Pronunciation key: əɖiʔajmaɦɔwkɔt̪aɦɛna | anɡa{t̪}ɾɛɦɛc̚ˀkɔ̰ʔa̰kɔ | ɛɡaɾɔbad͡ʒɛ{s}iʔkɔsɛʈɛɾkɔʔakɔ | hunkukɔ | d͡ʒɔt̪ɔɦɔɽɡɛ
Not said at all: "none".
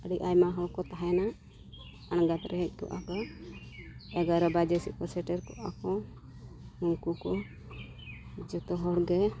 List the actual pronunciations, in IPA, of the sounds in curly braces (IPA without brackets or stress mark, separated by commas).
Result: t̪, s